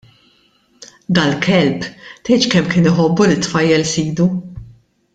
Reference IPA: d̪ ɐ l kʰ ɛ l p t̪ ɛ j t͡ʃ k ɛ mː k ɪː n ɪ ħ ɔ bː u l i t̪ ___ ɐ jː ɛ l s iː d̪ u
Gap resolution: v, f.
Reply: f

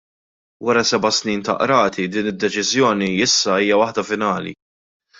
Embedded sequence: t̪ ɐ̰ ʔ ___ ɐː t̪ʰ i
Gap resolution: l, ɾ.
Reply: ɾ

